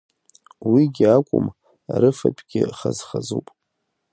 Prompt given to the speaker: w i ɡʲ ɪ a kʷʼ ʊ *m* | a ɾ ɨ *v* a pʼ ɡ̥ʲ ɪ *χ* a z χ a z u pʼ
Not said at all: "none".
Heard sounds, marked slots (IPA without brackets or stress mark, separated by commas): m, f, χ